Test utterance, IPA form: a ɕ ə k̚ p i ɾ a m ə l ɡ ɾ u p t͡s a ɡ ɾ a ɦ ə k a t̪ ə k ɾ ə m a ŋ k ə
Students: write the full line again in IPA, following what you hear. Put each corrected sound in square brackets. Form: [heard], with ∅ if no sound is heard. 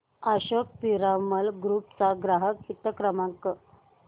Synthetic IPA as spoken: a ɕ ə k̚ p i ɾ a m ə l ɡ ɾ u p t͡s a ɡ ɾ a ɦ ə k [i] t̪ ə k ɾ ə m a ŋ k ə